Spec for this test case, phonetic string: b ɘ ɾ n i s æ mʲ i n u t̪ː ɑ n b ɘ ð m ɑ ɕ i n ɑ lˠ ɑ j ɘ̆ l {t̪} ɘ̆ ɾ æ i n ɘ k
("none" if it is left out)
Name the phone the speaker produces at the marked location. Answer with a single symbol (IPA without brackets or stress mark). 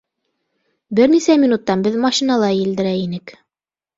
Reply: d̪